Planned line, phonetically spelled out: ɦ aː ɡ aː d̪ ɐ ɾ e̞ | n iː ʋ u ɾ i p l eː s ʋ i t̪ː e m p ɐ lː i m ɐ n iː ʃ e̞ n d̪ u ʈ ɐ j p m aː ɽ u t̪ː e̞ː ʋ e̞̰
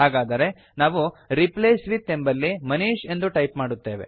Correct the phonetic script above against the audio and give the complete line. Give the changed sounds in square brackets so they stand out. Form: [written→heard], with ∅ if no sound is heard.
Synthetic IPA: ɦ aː ɡ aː d̪ ɐ ɾ e̞ | n [iː→aː] ʋ u ɾ i p l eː s ʋ i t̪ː e m [p→b] ɐ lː i m ɐ n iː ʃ e̞ n d̪ u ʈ ɐ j p m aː ɽ u t̪ː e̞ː ʋ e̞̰